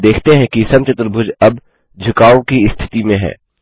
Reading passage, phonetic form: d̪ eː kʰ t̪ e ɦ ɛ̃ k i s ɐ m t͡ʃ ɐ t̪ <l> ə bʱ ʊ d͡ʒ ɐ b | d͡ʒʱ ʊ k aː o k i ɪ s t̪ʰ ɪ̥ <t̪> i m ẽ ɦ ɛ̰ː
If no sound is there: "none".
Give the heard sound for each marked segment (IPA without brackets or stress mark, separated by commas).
ɾ, t̪